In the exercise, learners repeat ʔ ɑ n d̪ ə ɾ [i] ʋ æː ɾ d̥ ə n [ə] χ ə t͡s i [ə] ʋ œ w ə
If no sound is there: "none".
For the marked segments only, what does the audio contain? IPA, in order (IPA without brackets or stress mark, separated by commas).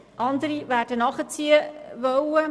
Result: i, ɑ, ə